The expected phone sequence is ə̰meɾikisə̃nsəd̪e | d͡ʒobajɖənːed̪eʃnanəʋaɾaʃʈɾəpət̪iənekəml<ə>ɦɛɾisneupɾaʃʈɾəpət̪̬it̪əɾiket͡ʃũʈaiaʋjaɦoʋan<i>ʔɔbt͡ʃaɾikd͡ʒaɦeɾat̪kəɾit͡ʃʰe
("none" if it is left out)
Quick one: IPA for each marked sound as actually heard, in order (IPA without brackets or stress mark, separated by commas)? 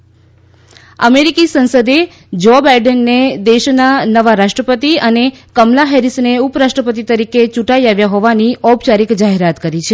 a, i